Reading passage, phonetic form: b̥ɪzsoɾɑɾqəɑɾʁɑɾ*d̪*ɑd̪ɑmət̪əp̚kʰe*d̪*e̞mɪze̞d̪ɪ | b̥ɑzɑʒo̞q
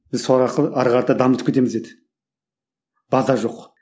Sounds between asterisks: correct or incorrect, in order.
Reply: incorrect: t̪, incorrect: t̪

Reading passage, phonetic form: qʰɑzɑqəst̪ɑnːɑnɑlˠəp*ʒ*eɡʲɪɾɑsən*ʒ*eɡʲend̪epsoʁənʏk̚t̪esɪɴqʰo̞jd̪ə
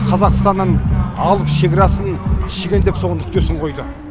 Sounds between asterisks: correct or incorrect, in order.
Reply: incorrect: ʃ, incorrect: ʃ

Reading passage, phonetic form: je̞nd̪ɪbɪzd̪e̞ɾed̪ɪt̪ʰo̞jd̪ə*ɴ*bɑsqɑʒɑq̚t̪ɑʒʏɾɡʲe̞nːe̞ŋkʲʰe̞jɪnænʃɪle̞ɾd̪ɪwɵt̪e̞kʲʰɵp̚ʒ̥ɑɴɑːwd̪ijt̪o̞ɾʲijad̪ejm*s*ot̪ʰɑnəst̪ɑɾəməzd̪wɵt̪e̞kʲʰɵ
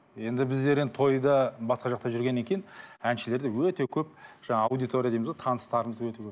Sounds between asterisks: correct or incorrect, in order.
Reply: incorrect: none, incorrect: z

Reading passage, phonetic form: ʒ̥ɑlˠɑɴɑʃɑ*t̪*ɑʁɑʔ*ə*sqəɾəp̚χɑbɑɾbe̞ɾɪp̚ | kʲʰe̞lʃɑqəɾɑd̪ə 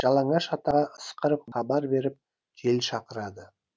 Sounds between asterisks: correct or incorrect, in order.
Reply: correct, correct

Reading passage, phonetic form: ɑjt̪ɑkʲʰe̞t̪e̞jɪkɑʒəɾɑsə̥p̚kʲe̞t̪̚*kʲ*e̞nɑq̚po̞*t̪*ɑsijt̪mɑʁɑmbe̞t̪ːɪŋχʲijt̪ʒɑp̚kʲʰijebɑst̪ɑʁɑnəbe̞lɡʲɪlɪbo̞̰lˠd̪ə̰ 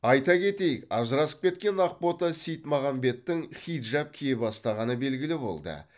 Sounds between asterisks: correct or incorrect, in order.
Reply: correct, correct

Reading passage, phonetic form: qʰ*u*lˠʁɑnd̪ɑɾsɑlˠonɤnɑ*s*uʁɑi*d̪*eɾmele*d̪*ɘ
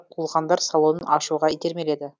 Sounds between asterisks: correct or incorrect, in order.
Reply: correct, incorrect: ʃ, incorrect: t̪, correct

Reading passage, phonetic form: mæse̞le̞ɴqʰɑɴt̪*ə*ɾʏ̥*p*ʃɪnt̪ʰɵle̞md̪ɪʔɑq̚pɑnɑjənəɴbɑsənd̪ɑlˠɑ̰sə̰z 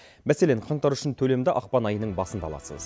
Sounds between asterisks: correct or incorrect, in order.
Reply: incorrect: ɑ, incorrect: none

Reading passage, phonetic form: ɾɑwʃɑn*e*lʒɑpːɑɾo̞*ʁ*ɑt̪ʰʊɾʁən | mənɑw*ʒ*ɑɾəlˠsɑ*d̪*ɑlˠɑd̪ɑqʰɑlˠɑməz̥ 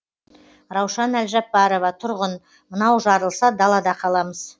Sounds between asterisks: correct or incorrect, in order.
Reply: incorrect: æ, incorrect: v, correct, correct

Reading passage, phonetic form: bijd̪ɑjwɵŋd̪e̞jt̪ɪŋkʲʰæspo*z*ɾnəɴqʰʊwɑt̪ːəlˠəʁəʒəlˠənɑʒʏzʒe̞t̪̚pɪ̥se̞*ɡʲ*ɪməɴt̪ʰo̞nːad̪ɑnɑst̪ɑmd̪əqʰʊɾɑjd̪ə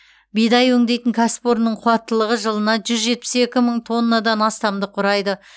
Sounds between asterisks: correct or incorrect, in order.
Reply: incorrect: none, incorrect: kʲ

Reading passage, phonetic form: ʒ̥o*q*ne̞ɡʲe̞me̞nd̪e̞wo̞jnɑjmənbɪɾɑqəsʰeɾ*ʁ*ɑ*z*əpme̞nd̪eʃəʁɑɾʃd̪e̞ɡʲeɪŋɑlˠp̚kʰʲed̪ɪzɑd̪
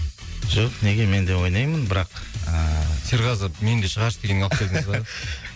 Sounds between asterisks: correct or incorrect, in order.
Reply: correct, correct, correct

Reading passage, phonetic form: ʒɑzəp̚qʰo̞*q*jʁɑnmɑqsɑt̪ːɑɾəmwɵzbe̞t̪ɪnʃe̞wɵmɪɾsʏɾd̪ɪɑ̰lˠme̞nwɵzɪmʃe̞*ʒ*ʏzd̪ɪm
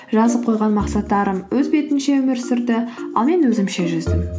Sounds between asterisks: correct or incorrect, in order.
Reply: incorrect: none, correct

